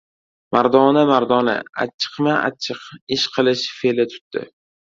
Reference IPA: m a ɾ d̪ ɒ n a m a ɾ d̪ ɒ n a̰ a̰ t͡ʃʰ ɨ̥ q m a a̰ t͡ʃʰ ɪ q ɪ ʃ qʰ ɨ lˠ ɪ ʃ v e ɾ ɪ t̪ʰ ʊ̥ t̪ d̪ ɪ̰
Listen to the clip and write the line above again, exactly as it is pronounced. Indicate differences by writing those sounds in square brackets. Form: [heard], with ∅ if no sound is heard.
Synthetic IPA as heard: m a ɾ d̪ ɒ n a m a ɾ d̪ ɒ n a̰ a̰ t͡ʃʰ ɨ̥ q m a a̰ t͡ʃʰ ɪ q ɪ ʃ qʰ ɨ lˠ ɪ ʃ [f] e [l] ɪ t̪ʰ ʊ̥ t̪ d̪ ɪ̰